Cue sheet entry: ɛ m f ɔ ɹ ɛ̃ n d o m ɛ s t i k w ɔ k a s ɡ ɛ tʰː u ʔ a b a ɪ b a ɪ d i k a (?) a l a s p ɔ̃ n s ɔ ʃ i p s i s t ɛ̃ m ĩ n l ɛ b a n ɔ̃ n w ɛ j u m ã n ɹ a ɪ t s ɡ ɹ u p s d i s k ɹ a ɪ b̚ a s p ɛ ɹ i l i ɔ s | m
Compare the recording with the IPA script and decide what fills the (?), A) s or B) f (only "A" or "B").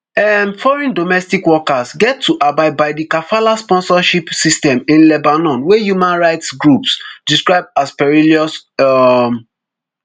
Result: B